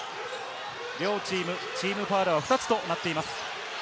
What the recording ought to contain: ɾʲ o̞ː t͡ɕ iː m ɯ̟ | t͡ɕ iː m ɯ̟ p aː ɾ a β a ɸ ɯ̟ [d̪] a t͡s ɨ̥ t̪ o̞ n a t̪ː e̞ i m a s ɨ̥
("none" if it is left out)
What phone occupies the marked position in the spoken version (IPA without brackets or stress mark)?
t̪